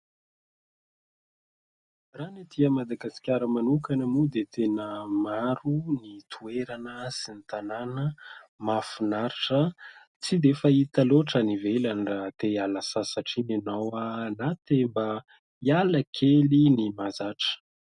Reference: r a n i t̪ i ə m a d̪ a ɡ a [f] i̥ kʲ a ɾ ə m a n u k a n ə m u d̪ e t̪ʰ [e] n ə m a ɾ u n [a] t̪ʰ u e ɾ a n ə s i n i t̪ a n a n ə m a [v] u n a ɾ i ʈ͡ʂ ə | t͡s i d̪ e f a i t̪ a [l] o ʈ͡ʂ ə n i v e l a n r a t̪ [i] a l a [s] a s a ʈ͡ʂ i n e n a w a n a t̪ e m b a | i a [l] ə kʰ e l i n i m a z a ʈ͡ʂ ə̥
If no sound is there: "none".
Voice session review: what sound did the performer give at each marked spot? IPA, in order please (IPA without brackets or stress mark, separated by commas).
s, e, i, f, l, e, s, l